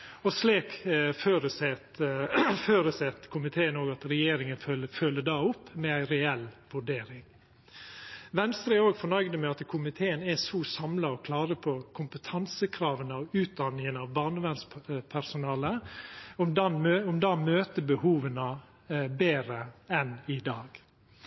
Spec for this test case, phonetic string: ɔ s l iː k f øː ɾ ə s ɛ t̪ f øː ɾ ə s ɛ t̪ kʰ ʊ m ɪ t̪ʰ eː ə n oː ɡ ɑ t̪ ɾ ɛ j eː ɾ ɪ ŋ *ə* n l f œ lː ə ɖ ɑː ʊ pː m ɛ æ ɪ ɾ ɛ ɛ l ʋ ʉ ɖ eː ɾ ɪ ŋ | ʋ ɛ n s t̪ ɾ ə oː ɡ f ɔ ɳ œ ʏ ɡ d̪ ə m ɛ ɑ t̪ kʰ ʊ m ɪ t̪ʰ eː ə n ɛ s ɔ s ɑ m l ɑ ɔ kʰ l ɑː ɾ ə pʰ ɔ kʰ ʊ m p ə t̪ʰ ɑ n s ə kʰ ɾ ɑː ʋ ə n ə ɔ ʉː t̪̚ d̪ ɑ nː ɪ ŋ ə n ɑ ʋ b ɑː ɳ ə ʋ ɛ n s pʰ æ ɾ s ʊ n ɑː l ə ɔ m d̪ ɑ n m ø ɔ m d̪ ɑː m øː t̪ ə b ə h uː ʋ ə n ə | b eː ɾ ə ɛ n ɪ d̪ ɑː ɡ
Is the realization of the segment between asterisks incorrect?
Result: no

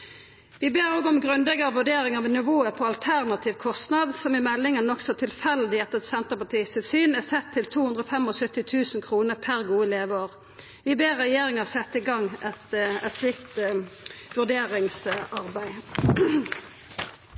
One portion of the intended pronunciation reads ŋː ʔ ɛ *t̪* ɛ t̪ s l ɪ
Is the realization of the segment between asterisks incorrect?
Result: no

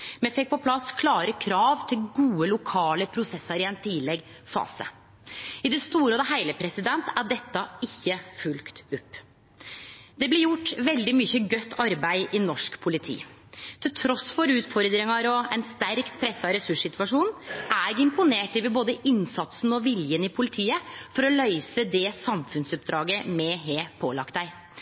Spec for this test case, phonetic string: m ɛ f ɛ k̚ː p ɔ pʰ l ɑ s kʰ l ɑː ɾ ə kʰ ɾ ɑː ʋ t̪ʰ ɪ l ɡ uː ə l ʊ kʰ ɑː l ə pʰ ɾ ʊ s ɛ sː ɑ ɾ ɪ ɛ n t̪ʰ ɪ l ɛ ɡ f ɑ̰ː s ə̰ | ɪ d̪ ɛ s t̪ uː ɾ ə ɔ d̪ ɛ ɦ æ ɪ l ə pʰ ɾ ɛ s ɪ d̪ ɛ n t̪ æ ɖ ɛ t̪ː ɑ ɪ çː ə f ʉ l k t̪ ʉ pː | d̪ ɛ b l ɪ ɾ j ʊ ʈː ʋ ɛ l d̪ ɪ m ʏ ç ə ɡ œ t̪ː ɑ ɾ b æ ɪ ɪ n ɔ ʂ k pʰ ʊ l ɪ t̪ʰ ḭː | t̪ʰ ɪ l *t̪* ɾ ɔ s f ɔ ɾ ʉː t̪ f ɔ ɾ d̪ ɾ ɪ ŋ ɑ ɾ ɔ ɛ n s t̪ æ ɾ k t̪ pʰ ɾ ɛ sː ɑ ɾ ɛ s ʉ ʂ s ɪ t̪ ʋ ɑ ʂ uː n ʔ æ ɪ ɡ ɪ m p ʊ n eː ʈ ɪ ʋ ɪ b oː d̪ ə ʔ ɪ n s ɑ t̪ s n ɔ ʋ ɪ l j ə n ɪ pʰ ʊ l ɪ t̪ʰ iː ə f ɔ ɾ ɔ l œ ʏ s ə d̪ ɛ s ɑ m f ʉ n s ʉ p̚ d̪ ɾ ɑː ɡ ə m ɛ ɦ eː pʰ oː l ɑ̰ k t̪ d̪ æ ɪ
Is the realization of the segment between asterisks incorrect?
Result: yes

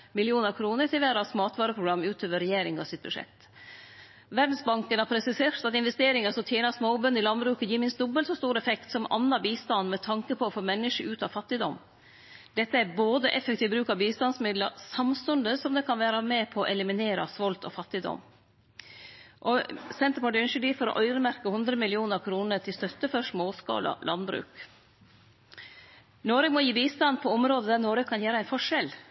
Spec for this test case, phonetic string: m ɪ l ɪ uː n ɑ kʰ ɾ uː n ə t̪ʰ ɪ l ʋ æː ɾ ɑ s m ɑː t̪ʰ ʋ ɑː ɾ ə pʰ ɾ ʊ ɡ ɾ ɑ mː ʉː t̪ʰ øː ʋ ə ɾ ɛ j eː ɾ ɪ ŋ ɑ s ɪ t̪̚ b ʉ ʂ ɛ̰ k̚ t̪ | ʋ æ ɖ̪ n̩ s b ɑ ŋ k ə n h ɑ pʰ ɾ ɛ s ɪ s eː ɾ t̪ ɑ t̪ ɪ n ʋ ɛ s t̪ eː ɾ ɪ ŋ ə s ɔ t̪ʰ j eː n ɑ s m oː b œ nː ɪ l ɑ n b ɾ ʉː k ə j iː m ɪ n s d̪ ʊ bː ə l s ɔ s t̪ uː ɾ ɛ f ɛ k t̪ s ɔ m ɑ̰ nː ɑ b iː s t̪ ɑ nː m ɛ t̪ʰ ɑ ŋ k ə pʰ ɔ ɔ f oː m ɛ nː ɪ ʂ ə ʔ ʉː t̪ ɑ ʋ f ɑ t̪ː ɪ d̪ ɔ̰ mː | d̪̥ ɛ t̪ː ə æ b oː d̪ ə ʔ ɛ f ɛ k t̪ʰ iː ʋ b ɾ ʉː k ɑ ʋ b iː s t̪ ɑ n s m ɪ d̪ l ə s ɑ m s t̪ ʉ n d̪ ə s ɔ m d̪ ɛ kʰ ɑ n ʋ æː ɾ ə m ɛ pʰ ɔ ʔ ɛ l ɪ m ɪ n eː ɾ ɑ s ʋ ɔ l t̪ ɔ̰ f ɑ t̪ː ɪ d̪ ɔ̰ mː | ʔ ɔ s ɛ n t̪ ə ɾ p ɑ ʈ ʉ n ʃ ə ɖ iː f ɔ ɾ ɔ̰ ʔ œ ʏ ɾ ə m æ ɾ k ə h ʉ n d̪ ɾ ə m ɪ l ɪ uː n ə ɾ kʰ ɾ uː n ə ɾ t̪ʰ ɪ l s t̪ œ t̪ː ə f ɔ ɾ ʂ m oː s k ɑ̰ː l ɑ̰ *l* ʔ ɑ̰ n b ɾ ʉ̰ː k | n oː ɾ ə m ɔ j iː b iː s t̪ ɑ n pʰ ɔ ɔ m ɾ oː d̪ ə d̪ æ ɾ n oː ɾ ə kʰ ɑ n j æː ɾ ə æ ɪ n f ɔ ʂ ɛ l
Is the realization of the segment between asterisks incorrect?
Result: no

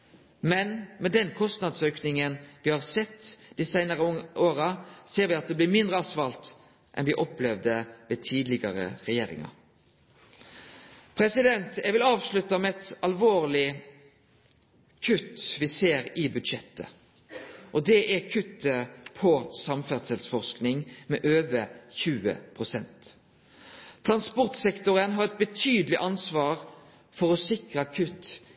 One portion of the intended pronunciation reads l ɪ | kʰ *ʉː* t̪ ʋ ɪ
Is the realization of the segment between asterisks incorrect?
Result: yes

